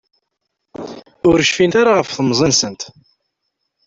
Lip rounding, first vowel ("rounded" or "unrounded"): rounded